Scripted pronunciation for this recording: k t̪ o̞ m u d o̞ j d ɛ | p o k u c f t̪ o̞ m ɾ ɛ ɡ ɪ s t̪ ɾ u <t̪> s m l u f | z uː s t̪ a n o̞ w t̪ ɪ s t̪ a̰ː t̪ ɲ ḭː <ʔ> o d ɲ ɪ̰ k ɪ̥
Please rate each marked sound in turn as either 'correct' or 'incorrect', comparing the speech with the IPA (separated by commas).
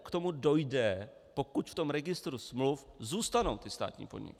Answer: incorrect, incorrect